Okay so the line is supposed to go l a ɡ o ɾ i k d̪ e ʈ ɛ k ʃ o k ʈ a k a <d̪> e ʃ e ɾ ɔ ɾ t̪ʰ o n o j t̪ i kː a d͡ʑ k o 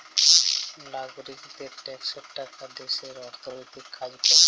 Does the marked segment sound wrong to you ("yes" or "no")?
no